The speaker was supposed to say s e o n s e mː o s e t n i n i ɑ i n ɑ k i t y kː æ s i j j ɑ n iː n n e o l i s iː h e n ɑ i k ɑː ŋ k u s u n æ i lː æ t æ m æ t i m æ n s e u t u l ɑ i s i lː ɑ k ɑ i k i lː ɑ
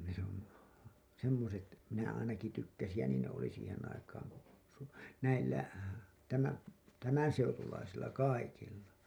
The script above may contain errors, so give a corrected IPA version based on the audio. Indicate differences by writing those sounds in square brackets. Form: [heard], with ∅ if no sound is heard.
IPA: s e o n s e mː o s e t [m] i n [æ] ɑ i n ɑ k i t y kː æ s i j j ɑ n iː n n e o l i s iː h e n ɑ i k ɑː ŋ k u s u n æ i lː æ t æ m æ t [æ] m æ n s e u t u l ɑ i s i lː ɑ k ɑ i k i lː ɑ